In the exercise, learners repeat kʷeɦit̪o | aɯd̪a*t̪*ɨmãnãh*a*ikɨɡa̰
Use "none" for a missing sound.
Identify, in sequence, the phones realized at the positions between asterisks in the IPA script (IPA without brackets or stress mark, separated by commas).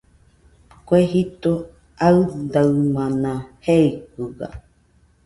none, e